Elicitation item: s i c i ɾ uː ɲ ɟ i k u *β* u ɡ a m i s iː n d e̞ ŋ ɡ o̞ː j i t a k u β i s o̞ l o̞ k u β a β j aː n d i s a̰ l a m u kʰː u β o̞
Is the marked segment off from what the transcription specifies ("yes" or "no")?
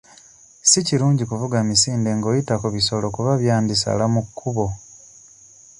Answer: yes